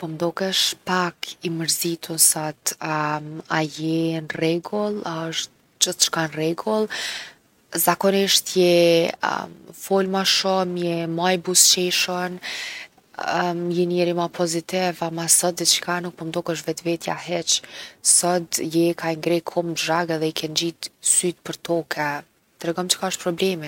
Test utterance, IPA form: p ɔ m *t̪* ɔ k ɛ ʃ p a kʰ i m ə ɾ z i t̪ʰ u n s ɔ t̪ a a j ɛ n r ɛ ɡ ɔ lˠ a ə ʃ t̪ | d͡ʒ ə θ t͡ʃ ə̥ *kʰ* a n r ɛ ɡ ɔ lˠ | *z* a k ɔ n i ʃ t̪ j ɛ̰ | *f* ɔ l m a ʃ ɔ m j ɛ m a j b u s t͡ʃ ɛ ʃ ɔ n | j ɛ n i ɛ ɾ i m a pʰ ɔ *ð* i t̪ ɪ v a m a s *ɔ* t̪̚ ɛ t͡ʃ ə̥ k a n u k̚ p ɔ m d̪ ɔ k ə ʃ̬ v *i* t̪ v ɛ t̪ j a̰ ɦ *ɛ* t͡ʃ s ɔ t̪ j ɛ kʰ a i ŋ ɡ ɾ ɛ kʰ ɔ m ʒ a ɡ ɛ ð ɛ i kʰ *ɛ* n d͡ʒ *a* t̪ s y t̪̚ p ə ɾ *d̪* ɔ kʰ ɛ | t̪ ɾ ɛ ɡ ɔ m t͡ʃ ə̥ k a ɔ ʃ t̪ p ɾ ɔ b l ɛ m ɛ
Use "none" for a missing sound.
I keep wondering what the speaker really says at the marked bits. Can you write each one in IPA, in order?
d̪, k, z, f, z, ɔ, ɛ, ɛ, ɛ, i, t̪

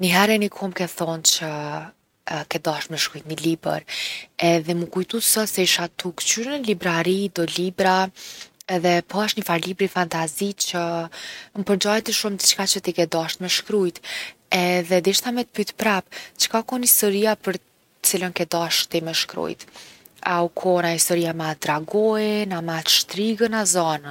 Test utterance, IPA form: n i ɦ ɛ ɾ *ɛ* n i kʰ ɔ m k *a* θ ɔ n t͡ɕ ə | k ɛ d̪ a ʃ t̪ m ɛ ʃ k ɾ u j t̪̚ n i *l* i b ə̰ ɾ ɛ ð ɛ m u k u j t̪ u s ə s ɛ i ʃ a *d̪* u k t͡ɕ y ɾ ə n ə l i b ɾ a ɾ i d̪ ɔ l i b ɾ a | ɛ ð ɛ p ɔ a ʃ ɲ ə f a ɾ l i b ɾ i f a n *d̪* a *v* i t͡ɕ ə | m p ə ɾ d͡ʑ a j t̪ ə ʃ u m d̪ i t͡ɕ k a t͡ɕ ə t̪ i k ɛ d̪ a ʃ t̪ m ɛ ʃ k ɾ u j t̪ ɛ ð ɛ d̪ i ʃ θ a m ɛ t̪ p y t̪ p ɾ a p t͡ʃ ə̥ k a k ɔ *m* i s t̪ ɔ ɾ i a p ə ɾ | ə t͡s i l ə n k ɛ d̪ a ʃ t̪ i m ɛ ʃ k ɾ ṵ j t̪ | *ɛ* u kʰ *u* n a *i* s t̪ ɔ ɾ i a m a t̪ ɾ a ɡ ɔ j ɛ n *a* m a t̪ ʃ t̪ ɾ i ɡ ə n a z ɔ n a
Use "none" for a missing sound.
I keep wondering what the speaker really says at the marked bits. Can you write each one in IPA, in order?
ɛ, ɛ, l, t̪, t̪, z, n, a, ɔ, i, a

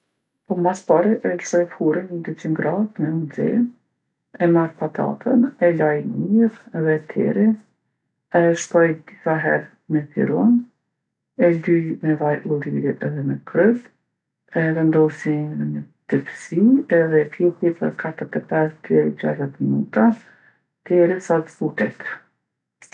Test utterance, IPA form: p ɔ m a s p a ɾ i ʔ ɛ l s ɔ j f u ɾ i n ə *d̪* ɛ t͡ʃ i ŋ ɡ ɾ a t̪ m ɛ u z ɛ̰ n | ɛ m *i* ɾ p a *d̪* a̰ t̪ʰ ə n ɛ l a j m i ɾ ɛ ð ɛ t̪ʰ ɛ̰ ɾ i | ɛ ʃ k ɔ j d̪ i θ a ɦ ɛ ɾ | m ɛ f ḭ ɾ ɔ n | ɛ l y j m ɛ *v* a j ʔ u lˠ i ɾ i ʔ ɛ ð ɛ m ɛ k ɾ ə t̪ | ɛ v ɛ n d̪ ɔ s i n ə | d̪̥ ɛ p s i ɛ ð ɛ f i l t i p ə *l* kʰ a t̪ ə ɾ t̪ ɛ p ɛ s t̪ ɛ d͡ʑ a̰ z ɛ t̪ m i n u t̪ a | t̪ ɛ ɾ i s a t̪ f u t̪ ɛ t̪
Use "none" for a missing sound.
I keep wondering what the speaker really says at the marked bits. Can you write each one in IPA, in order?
d̪, a, t̪, v, ɾ

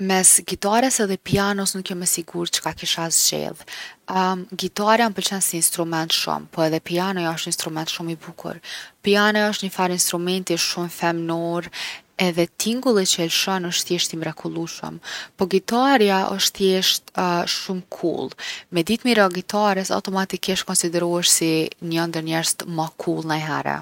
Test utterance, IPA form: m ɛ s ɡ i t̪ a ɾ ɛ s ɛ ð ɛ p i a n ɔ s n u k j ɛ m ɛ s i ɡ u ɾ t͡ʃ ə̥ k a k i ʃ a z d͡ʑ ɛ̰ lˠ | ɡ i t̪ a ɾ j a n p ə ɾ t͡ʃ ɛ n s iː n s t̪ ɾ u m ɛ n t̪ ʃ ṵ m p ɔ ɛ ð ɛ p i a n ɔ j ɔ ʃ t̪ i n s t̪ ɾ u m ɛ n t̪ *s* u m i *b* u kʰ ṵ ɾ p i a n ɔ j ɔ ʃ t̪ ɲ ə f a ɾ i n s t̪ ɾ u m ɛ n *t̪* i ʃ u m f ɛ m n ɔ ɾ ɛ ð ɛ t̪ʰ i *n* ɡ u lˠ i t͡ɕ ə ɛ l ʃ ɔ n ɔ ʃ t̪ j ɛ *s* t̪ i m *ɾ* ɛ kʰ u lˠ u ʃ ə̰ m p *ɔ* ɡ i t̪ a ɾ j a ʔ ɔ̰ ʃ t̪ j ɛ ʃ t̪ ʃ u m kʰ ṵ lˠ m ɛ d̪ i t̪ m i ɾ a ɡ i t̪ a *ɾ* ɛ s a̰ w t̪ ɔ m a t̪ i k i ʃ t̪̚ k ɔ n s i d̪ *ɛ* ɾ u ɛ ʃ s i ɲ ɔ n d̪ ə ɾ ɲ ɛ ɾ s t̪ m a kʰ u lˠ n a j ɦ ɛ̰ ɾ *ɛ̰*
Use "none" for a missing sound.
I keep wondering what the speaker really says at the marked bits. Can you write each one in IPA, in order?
ʃ, b, t̪, ŋ, ʃ, ɾ, ɔ, ɾ, ɛ, ɛ̰

